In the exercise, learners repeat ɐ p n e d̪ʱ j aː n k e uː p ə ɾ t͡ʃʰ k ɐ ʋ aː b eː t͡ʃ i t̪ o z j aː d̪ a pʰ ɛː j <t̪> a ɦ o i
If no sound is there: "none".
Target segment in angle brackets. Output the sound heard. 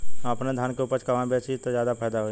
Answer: d̪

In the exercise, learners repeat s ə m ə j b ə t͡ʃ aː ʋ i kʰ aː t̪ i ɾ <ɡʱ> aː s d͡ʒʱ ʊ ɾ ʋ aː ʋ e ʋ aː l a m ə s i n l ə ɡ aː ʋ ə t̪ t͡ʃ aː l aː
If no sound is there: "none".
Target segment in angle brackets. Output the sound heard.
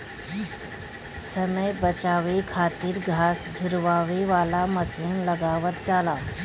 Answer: ɡʱ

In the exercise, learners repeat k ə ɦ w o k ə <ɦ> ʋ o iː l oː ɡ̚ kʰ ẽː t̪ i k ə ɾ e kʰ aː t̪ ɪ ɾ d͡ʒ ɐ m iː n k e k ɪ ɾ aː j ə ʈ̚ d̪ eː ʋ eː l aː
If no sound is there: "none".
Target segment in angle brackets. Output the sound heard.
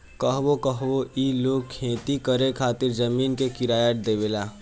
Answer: ɦ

